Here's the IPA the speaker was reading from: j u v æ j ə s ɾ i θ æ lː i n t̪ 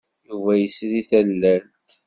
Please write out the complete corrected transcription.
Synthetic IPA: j u v æ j ə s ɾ i θ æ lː æ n t̪